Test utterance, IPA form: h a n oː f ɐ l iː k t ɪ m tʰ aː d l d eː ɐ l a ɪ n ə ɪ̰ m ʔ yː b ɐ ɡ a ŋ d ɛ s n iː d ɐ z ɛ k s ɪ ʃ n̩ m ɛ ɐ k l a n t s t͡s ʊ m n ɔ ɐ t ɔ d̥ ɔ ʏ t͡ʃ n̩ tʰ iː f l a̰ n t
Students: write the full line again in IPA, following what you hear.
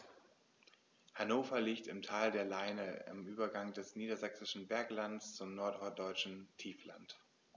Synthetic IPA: h a n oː f ɐ l iː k t ɪ m tʰ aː l d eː ɐ l a ɪ n ə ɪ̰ m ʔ yː b ɐ ɡ a ŋ d ɛ s n iː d ɐ z ɛ k s ɪ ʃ n̩ b ɛ ɐ k l a n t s t͡s ʊ m n ɔ ɐ t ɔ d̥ ɔ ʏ t͡ʃ n̩ tʰ iː f l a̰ n t

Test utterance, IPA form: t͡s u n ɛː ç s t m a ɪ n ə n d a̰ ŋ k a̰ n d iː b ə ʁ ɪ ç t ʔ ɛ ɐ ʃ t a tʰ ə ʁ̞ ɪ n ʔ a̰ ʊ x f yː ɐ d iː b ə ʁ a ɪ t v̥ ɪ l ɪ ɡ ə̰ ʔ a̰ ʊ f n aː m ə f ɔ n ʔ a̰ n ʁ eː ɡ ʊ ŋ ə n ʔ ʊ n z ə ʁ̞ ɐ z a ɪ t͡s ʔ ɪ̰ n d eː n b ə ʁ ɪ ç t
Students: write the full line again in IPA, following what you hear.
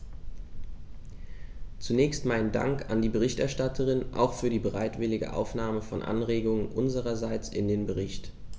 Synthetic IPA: t͡s u n ɛː ç s t m a ɪ n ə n d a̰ ŋ k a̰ n d iː b ə ʁ ɪ ç t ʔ ɛ ɐ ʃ t a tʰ ə ʁ̞ ɪ n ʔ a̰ ʊ x f yː ɐ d iː b ə ʁ a ɪ t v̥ ɪ l ɪ ɡ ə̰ ʔ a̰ ʊ f n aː m ə f ɔ n ʔ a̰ n ʁ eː ɡ ʊ ŋ ə n ʔ ʊ n z ə ʁ̞ ɐ z a ɪ t͡s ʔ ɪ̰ n d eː n b ə ʁ ɪ ç t

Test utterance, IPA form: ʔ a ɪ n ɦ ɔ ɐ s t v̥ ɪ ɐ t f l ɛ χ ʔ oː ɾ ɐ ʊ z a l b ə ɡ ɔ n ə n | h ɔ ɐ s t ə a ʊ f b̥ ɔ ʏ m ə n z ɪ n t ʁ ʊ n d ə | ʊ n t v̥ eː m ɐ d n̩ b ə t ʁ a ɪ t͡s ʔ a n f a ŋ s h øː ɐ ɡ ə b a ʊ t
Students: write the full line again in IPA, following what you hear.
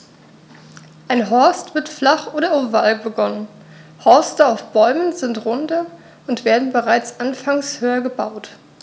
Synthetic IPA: ʔ a ɪ n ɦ ɔ ɐ s t v̥ ɪ ɐ t f l a χ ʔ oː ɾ ɐ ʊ v a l b ə ɡ ɔ n ə n | h ɔ ɐ s t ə a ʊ f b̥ ɔ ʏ m ə n z ɪ n t ʁ ʊ n d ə | ʊ n t v̥ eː ɐ d n̩ b ə ʁ a ɪ t͡s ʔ a n f a ŋ s h øː ɐ ɡ ə b a ʊ t

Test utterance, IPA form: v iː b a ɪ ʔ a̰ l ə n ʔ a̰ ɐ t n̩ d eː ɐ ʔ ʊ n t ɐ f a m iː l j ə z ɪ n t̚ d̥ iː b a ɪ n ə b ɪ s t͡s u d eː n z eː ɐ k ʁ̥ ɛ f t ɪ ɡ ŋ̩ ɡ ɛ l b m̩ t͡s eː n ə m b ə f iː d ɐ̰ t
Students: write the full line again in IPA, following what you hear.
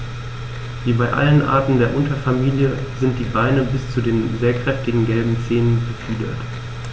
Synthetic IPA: v iː b a ɪ ʔ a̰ l ə n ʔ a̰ ɐ t n̩ d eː ɐ ʔ ʊ n t ɐ f a m iː l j ə z ɪ n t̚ d̥ iː b a ɪ n ə b ɪ s t͡s u d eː n z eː ɐ k ʁ̥ ɛ f t ɪ ɡ ŋ̩ ɡ ɛ l b m̩ t͡s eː n ə n b ə f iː d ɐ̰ t

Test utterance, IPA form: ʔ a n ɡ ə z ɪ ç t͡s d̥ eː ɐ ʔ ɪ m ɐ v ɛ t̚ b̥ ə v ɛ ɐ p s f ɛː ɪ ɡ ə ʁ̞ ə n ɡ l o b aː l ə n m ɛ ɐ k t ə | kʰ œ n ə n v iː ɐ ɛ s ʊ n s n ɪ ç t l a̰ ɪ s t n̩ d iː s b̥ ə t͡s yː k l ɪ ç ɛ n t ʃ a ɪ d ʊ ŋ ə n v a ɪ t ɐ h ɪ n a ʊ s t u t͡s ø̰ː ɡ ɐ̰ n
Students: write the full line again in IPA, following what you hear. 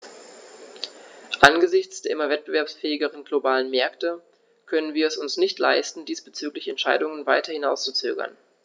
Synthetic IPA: ʔ a n ɡ ə z ɪ ç t͡s d̥ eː ɐ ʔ ɪ m ɐ v ɛ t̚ b̥ ə v ɛ ɐ p s f ɛː ɪ ɡ ə ʁ̞ ə n ɡ l o b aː l ə n m ɛ ɐ k t ə | kʰ œ n ə n v iː ɐ ɛ s ʊ n s n ɪ ç t l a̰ ɪ s t n̩ d iː s b̥ ə t͡s yː k l ɪ ç ɛ n t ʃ a ɪ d ʊ ŋ ə n v a ɪ t ɐ h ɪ n a ʊ s t͡s u t͡s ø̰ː ɡ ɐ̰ n

